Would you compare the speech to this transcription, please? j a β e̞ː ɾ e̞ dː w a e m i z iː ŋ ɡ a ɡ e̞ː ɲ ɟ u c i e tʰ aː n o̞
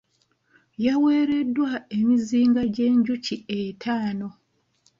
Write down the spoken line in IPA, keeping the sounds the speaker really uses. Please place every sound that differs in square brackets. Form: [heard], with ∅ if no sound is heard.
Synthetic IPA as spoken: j a [w] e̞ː ɾ e̞ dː w a e m i z iː ŋ ɡ a [ɟ] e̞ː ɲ ɟ u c i e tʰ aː n o̞

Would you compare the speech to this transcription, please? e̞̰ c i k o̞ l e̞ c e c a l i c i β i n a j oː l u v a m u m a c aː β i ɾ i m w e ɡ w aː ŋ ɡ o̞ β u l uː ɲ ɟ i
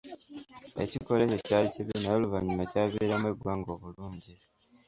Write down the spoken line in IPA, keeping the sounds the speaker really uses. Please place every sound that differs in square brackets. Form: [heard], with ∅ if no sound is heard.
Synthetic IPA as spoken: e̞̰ c i k o̞ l e̞ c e c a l i c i β i n a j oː l u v a [ɲ] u m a c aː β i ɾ [a] m w e ɡ w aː ŋ ɡ o̞ β u l uː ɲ ɟ i

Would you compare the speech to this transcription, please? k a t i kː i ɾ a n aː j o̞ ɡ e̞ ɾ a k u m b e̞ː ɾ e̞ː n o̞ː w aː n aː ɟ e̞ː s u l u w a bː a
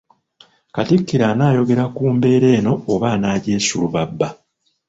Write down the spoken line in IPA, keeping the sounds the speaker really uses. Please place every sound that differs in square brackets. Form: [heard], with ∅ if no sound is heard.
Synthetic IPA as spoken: k a t i kː i ɾ a n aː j o̞ ɡ e̞ ɾ a k [uː] m b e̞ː ɾ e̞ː n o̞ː [β] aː n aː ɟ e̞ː s u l u [β] a bː a

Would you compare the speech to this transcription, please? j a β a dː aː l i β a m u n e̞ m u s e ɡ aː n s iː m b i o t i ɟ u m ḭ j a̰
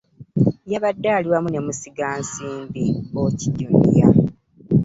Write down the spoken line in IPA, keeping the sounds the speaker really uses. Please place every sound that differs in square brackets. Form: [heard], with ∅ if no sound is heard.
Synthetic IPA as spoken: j a β a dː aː l i [w] a m u n e̞ m u s [i] ɡ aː n s iː m b i o [c] i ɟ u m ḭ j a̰

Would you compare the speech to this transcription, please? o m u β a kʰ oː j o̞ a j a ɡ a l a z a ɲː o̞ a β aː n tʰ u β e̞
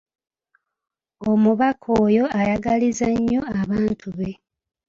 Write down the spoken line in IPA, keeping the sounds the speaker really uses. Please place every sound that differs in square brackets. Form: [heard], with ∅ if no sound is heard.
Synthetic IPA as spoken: o m u β a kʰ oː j o̞ a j a ɡ a l [i] z a ɲː o̞ a β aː n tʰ u β e̞

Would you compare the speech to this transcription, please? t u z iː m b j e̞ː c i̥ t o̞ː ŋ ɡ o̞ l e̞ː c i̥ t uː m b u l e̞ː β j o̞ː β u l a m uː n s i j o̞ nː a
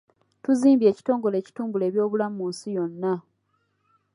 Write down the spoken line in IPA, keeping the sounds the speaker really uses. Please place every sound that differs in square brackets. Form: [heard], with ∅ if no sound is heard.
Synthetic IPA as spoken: t u z iː m b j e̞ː c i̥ t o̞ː ŋ ɡ o̞ l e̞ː c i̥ t uː m b u l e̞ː β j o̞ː β u l a m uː n s i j o̞ nː a

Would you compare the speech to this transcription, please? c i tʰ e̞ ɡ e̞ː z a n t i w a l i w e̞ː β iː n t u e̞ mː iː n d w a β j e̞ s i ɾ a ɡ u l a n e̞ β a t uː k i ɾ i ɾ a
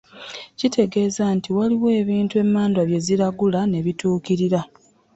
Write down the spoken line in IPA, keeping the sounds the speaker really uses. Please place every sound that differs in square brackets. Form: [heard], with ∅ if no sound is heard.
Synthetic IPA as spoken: c i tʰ e̞ ɡ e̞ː z a n t i w a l i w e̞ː β iː n t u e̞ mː [aː] n d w a β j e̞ [z] i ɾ a ɡ u l a n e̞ β [i] t uː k i ɾ i ɾ a

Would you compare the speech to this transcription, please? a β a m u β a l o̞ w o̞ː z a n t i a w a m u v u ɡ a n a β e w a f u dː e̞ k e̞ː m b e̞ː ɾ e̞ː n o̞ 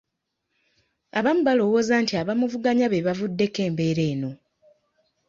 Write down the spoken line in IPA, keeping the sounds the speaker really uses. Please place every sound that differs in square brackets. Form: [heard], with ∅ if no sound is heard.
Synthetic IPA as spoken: a β a m u β a l o̞ w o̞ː z a n t i a [β] a m u v u ɡ a [ɲ] a β e [β] a [v] u dː e̞ k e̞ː m b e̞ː ɾ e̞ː n o̞

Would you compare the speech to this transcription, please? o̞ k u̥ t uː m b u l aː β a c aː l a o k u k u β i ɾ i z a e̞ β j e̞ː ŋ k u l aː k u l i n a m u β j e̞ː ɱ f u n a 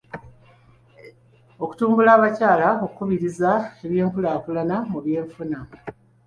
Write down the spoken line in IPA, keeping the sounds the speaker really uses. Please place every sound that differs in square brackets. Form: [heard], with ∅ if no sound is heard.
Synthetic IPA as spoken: o̞ k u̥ t uː m b u l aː β a c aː l a o k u k u β i ɾ i z a e̞ β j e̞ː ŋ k u l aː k u l [a] n a m u β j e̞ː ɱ f u n a

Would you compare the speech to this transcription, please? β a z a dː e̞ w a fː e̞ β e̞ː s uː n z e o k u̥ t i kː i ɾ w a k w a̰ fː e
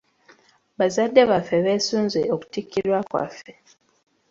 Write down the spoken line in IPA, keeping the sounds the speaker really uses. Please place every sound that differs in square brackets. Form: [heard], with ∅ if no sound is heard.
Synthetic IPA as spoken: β a z a dː e̞ [β] a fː e̞ β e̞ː s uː n z e o k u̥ t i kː i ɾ w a k w a̰ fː e

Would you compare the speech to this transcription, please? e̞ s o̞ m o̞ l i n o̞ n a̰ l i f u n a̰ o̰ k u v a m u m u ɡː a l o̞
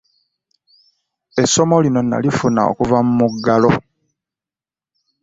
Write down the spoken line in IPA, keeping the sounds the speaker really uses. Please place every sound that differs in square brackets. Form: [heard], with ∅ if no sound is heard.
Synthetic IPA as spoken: e̞ s o̞ m o̞ l i n o̞ n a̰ l i f u n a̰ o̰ k u v a m u m u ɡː a l o̞

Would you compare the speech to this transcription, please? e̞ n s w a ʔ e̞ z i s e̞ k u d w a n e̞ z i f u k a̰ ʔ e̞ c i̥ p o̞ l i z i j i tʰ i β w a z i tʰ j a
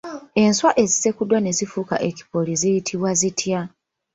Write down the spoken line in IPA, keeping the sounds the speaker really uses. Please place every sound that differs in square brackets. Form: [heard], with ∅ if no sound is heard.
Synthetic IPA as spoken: e̞ n s w a ʔ e̞ z i s e̞ k u d w a n e̞ z i f u k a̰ ʔ e̞ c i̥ p o̞ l i z i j i tʰ i β w a z i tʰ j a

